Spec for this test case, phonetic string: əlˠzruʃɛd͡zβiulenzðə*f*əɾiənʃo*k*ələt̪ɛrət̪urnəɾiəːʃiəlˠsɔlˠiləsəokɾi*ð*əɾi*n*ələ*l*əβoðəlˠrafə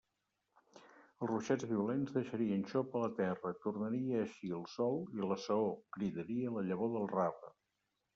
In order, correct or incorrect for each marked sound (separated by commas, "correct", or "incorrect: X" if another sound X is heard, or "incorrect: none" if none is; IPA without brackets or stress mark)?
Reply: incorrect: ʃ, incorrect: p, correct, incorrect: none, incorrect: ʎ